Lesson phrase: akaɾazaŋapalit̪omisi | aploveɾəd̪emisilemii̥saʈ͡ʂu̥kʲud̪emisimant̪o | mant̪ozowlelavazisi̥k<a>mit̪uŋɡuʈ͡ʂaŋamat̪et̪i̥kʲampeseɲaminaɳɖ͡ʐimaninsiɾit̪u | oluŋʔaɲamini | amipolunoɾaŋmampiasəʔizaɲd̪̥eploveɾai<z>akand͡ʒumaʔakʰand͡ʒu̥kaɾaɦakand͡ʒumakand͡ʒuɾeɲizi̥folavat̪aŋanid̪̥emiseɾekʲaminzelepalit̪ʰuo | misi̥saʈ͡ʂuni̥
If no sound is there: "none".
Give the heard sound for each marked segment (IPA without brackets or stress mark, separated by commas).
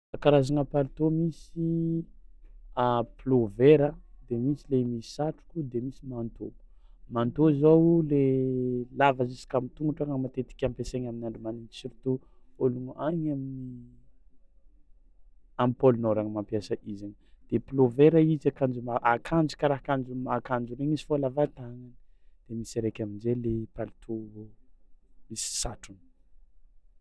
a, z